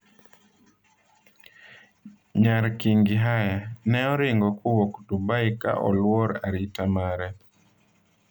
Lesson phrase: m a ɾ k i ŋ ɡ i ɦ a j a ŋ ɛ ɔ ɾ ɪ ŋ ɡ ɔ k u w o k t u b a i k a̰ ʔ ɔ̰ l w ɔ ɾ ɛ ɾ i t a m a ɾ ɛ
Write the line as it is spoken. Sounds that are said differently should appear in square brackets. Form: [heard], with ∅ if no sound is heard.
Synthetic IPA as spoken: [ɲ] a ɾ k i ŋ ɡ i ɦ a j a [n] ɛ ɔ ɾ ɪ ŋ ɡ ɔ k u w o k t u b a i k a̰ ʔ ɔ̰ l w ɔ ɾ [a] ɾ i t a m a ɾ ɛ